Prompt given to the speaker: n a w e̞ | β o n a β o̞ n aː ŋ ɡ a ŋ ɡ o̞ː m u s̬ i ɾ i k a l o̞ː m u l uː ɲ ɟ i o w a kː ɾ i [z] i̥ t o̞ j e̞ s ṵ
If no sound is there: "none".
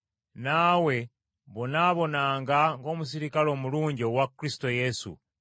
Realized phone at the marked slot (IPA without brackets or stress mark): s